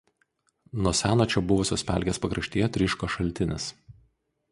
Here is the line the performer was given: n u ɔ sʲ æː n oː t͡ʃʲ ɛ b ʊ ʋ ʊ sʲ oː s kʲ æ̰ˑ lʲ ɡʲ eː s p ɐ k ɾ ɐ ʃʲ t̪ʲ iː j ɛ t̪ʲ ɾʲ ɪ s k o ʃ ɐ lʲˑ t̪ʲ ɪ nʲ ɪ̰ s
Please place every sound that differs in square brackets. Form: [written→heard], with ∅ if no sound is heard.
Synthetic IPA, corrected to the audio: n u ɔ sʲ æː n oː t͡ʃʲ ɛ b ʊ ʋ ʊ sʲ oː s [kʲ→pʲ] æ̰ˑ lʲ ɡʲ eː s p ɐ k ɾ ɐ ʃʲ t̪ʲ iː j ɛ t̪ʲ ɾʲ ɪ [s→ʃ] k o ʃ ɐ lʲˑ t̪ʲ ɪ nʲ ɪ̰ s